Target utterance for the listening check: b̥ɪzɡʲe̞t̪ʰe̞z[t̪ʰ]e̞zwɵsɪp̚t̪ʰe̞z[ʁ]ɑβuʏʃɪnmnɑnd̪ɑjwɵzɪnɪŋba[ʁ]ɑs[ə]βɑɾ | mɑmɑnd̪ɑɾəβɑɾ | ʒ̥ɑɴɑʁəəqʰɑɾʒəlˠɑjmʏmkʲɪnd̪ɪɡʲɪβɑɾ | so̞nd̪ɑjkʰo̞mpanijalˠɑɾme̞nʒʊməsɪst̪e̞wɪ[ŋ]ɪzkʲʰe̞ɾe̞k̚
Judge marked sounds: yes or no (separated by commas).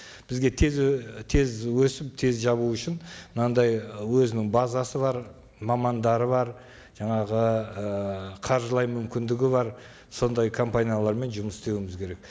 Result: yes, no, no, yes, no